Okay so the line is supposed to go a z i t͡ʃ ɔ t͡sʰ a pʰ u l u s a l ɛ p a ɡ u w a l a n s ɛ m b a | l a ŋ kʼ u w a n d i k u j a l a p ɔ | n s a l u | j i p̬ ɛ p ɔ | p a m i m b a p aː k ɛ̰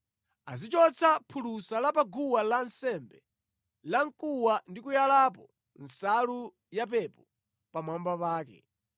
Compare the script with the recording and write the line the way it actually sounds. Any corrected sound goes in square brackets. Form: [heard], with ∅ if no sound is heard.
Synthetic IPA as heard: a z i t͡ʃ ɔ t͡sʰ a pʰ u l u s a l [a] p a ɡ u w a l a n s ɛ m b [ɛ] | l a ŋ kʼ u w a n d i k u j a l a p ɔ | n s a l u | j [a] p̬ ɛ p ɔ | p a m [a] m b a p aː k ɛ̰